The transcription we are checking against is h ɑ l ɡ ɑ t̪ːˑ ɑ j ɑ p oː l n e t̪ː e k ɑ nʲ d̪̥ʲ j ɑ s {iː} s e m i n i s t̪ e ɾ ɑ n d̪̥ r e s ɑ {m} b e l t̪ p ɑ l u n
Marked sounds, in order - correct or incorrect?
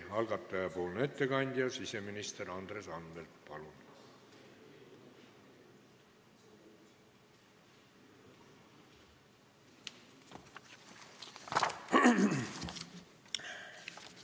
incorrect: i, incorrect: n

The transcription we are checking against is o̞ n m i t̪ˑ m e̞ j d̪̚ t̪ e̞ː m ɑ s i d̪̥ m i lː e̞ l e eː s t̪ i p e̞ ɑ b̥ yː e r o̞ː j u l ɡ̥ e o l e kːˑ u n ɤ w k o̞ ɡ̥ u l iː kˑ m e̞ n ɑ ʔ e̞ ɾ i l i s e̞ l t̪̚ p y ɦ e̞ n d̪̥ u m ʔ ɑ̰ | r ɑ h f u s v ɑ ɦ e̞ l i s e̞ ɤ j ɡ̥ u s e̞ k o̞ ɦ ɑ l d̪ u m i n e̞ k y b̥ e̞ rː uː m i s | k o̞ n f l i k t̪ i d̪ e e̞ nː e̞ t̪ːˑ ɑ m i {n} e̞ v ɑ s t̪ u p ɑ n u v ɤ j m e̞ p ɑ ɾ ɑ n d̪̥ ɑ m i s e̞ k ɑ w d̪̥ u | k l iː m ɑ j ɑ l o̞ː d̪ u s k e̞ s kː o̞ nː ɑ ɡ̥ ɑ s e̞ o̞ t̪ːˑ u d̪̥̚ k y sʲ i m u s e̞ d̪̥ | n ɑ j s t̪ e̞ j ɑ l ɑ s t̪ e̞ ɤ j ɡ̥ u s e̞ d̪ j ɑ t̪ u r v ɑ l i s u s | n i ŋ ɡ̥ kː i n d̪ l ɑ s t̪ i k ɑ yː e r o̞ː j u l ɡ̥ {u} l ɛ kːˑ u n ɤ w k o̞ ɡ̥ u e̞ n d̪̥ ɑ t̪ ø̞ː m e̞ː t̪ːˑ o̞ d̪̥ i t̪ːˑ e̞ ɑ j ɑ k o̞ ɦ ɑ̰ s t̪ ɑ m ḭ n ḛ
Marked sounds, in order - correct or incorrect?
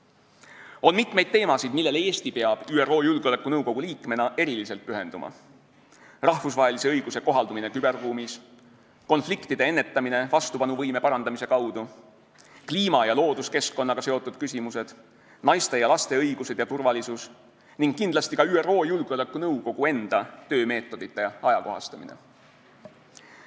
correct, incorrect: o

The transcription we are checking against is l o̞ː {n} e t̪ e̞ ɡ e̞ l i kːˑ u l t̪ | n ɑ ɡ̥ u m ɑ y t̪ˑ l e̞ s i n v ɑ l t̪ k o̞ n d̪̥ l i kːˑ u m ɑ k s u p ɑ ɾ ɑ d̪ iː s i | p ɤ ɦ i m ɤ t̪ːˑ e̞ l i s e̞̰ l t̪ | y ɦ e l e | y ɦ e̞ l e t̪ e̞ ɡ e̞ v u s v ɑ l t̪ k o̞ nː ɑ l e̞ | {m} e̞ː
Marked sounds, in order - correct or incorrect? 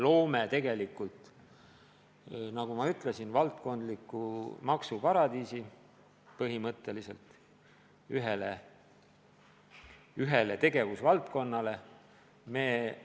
incorrect: m, correct

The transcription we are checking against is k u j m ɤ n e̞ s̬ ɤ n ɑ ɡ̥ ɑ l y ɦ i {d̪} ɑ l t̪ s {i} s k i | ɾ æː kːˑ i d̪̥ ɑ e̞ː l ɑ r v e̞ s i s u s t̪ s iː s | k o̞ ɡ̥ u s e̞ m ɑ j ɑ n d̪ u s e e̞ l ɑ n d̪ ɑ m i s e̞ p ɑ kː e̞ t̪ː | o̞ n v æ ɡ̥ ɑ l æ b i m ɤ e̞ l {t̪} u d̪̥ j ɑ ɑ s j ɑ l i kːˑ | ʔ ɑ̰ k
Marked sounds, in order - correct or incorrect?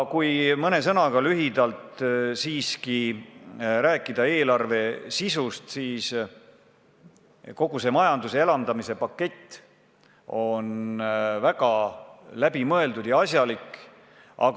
correct, incorrect: iː, incorrect: d̪

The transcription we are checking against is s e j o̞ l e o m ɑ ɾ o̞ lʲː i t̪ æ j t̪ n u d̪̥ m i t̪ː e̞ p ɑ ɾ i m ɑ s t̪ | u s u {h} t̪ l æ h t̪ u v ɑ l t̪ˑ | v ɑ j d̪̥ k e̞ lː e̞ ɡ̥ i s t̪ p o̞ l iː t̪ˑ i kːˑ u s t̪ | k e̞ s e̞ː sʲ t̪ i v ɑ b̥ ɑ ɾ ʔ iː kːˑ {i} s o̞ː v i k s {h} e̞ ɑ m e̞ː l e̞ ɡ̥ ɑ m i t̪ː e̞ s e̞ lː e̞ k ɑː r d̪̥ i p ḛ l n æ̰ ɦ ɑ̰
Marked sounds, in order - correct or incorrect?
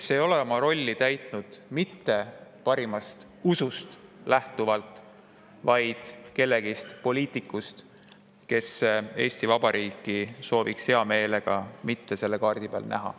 incorrect: s, correct, correct

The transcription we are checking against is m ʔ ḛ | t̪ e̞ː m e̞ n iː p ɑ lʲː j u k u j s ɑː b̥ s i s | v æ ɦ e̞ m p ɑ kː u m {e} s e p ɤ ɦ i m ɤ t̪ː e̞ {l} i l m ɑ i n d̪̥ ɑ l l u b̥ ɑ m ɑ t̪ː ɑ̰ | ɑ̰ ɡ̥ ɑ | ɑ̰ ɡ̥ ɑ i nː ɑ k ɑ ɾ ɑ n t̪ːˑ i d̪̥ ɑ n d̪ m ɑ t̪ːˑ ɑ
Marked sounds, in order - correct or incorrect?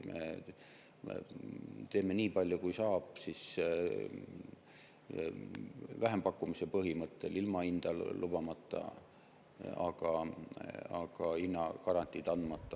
incorrect: i, correct

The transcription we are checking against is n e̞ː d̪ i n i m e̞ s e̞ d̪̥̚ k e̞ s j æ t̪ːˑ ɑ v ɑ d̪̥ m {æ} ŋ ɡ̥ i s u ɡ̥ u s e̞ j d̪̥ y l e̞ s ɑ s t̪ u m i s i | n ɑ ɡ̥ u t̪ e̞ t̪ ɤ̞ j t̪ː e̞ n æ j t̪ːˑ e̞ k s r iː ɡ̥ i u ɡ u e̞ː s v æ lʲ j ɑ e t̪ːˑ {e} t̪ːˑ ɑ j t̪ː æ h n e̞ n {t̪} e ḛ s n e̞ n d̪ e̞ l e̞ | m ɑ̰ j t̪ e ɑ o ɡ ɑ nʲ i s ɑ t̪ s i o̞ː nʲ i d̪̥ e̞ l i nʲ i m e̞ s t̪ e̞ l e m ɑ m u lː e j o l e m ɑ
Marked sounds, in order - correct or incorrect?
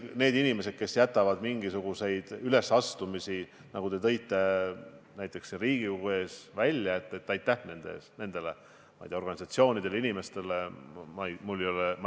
incorrect: i, correct, incorrect: d̪

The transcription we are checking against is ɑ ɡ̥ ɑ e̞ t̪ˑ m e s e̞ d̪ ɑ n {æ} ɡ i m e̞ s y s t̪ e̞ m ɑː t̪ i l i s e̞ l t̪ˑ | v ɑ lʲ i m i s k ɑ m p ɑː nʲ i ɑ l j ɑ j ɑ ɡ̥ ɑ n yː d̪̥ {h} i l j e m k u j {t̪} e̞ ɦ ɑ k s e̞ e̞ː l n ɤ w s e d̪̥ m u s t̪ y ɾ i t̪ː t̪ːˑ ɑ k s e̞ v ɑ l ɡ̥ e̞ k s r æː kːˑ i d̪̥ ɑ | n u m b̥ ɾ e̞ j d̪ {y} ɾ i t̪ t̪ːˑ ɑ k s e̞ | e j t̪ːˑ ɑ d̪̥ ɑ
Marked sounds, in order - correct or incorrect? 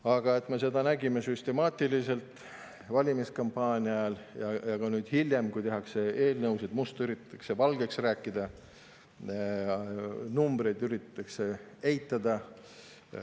correct, correct, correct, correct

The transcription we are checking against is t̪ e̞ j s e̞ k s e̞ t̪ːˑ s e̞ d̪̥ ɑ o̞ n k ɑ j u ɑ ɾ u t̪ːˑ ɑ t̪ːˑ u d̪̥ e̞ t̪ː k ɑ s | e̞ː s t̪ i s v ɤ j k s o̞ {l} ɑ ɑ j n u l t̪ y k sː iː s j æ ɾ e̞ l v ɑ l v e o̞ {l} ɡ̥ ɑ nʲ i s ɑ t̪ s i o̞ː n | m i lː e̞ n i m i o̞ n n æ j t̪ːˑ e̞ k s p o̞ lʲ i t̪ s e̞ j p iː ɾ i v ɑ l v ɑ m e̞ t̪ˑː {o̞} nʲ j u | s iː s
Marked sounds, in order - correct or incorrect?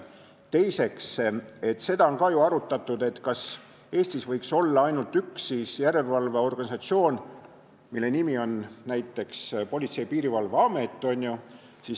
incorrect: lː, incorrect: r, correct

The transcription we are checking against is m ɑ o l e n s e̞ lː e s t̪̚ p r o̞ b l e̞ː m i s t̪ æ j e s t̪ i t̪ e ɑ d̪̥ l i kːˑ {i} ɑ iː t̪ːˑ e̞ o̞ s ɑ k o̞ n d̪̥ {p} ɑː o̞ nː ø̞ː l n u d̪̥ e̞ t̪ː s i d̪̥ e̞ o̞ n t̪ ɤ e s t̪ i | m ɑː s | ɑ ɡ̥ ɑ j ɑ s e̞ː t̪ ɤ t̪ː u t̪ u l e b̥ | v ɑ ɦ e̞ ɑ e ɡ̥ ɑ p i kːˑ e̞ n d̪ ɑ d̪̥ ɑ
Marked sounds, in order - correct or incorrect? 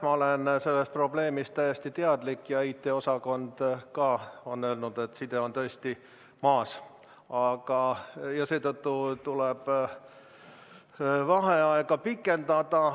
incorrect: j, incorrect: k

